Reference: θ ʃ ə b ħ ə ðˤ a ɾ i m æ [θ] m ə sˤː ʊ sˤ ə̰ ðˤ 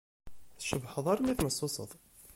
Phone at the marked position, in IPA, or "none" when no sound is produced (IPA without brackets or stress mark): θ